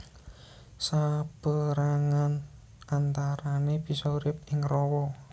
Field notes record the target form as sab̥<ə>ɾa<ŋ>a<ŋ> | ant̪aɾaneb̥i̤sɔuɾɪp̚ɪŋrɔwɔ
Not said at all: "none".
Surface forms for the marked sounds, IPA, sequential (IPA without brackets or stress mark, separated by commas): ə, ŋ, n